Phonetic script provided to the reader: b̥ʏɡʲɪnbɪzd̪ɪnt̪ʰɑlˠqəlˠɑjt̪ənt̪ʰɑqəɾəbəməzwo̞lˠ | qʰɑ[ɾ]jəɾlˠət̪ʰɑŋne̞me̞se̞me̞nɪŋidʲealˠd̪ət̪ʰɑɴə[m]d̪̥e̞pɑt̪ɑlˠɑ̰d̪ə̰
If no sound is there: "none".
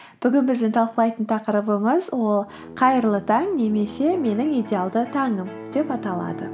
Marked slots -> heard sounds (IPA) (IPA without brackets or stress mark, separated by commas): none, m